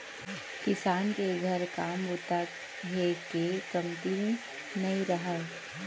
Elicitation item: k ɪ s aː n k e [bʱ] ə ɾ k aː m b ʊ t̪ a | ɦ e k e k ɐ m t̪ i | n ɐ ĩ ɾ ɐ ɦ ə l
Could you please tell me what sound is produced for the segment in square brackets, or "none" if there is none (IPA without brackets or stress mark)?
ɡʱ